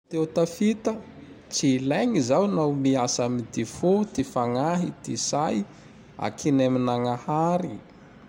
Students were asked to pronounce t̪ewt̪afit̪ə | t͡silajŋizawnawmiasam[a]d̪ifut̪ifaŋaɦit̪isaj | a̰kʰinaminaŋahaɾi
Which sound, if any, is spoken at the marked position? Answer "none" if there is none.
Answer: i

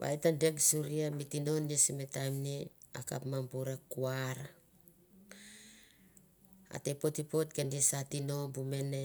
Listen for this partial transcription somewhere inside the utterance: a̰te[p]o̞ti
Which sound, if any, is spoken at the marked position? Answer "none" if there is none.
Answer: p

